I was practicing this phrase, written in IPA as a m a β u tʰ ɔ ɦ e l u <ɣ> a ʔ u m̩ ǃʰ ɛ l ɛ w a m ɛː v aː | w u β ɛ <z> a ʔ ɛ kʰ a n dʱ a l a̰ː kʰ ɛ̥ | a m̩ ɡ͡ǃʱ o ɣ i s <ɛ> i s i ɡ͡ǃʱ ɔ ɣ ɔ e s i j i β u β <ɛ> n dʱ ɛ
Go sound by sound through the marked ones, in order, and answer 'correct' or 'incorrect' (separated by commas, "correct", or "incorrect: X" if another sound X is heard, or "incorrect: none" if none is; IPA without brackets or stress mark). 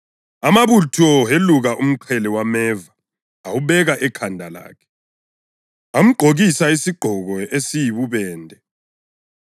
correct, incorrect: ɣ, incorrect: a, incorrect: ɛː